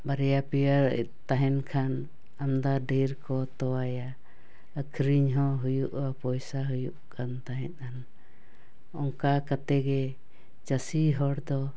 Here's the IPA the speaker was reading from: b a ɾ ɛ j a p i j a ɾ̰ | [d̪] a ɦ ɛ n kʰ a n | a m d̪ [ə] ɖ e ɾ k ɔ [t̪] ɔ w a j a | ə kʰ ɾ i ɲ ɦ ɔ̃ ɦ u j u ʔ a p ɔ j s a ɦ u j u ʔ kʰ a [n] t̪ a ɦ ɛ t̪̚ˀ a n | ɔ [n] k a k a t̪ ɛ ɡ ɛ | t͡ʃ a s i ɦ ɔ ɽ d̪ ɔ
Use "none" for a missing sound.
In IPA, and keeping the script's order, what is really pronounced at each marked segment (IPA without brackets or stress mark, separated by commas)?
t̪, a, t̪, n, ŋ